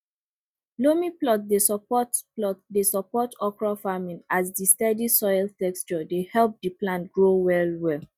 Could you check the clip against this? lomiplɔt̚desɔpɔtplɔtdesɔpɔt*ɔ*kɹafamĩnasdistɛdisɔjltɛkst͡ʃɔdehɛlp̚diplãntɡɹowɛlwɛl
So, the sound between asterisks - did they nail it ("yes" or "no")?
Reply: yes